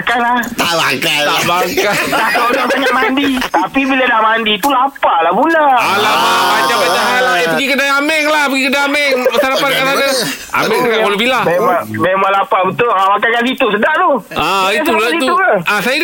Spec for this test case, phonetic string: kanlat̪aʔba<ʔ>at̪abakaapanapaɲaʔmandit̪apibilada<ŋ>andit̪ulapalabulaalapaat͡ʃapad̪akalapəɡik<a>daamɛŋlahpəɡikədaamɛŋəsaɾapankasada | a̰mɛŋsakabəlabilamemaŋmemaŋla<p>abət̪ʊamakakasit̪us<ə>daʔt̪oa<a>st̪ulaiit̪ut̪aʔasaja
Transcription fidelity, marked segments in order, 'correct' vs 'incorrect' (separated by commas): incorrect, incorrect, incorrect, correct, correct, incorrect